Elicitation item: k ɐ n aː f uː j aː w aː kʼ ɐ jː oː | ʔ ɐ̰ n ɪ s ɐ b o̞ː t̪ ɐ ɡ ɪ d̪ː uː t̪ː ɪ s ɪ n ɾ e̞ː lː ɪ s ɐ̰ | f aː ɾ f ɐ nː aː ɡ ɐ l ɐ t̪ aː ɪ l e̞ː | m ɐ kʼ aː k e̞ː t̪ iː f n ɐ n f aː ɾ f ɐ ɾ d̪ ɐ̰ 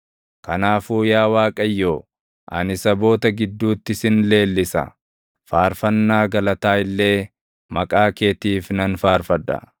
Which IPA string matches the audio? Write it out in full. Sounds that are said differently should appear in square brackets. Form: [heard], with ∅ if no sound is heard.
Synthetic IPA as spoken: k ɐ n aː f uː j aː w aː kʼ ɐ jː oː | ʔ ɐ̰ n ɪ s ɐ b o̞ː t̪ ɐ ɡ ɪ d̪ː uː t̪ː ɪ s ɪ n [l] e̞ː lː ɪ s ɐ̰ | f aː ɾ f ɐ nː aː ɡ ɐ l ɐ t̪ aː ɪ [lː] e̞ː | m ɐ kʼ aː k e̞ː t̪ iː f n ɐ n f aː ɾ f ɐ [∅] d̪ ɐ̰